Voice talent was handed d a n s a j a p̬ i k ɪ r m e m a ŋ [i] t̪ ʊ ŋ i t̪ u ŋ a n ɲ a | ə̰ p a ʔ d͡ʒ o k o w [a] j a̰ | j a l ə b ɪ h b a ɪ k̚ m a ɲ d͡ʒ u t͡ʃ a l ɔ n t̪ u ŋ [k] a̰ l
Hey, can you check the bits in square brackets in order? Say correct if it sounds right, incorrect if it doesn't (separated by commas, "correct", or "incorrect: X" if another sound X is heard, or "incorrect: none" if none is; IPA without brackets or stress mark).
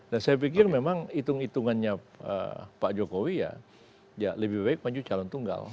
correct, incorrect: i, incorrect: ɡ